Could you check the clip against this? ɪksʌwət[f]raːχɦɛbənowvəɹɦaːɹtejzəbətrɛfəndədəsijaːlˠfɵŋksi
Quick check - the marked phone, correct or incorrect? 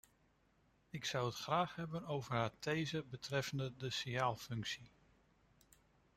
incorrect: χ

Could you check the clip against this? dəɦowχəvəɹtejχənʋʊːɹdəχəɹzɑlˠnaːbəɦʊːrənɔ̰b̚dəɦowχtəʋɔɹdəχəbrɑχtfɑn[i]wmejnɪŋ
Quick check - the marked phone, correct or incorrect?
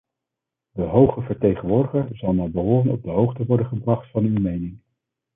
incorrect: y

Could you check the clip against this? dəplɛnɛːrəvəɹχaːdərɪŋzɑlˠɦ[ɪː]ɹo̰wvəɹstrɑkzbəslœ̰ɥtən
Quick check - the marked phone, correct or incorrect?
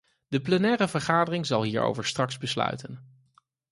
incorrect: iː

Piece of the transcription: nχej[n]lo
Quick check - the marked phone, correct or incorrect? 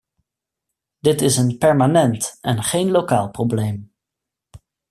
correct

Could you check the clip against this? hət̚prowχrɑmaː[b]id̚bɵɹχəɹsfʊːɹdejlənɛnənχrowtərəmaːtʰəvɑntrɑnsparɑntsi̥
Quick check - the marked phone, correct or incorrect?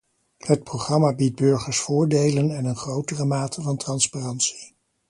correct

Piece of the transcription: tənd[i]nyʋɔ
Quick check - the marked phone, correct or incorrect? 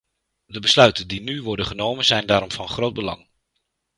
correct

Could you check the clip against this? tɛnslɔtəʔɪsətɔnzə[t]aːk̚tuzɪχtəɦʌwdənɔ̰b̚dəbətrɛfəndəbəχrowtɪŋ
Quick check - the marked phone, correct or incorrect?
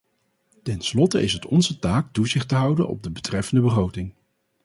correct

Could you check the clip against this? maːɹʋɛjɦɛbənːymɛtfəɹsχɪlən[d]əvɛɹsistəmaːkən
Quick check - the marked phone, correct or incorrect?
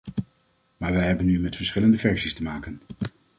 correct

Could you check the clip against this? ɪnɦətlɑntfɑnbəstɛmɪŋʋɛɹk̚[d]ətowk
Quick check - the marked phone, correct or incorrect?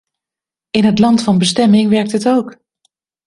incorrect: t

